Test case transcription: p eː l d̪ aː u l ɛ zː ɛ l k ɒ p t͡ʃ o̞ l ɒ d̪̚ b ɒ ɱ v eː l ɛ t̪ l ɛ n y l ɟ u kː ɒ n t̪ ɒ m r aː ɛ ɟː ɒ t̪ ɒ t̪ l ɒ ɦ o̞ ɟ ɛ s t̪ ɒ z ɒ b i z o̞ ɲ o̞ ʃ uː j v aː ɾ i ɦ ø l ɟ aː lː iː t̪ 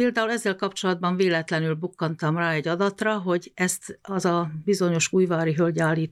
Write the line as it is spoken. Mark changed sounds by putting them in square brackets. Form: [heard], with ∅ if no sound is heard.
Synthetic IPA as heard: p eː l d̪ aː u l ɛ zː ɛ l k ɒ p t͡ʃ o̞ l ɒ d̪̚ b ɒ ɱ v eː l ɛ t̪ l ɛ n y l [b] u kː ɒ n t̪ ɒ m r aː ɛ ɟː ɒ [d̪] ɒ t̪ [r] ɒ ɦ o̞ ɟ ɛ s t̪ ɒ z ɒ b i z o̞ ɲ o̞ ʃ uː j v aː ɾ i ɦ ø l ɟ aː lː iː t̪